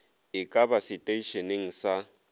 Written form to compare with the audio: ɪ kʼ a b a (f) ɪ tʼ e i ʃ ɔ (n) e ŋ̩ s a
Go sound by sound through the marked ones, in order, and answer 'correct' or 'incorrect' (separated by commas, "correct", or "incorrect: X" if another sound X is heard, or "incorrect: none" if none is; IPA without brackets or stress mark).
incorrect: s, correct